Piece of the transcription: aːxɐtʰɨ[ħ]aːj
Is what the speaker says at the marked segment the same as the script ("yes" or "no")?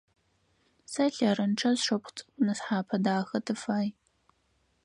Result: no